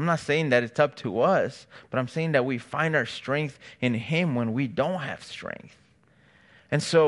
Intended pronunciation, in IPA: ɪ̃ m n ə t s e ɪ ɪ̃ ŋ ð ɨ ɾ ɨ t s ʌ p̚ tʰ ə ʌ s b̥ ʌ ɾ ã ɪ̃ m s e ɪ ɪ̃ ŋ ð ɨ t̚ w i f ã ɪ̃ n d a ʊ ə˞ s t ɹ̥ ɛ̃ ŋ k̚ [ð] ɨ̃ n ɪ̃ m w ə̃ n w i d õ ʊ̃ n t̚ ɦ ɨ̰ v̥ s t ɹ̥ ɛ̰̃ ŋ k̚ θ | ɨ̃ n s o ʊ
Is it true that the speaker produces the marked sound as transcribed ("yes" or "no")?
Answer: no